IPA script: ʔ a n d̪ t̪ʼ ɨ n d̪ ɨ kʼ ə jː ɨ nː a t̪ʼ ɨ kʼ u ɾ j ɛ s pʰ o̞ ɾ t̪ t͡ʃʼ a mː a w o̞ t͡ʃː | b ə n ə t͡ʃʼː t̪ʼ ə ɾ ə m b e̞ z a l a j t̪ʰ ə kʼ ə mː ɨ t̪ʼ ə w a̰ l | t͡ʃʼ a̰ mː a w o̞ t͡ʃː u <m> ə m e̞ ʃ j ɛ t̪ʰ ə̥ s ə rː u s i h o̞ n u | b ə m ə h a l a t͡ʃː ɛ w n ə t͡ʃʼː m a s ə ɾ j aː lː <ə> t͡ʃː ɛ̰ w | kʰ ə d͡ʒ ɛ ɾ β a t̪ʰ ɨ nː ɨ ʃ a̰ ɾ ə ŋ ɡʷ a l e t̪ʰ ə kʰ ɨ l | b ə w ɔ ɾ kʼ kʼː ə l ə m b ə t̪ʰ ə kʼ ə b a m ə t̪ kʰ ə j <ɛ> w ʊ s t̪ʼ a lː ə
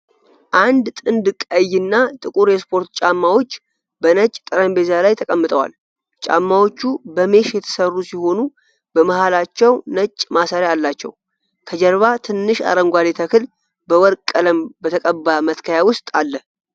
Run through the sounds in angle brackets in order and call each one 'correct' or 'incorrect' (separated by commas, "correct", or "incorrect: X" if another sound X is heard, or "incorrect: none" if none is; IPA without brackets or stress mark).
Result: incorrect: b, incorrect: a, incorrect: a